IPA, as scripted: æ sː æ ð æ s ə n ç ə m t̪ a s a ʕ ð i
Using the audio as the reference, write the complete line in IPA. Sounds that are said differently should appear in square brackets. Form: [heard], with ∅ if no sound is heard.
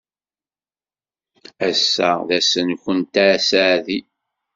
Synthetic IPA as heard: æ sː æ ð æ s ə n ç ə [n] t̪ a s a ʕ ð i